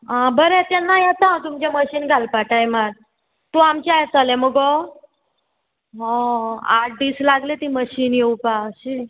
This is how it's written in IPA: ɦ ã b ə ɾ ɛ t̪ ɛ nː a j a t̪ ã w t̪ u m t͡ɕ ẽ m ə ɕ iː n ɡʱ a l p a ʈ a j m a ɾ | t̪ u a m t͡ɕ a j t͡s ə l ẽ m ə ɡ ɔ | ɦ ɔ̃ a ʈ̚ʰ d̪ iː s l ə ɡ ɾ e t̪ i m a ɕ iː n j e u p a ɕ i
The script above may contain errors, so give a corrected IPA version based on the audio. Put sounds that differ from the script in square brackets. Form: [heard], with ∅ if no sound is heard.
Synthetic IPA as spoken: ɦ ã b ə ɾ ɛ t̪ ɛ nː a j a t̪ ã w t̪ u m t͡ɕ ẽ m ə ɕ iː n ɡʱ a l p a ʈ a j m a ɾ | t̪ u a m t͡ɕ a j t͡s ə l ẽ m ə ɡ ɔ | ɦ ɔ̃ a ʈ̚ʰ d̪ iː s l [a] ɡ [l] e t̪ i m [ə] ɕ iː n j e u p a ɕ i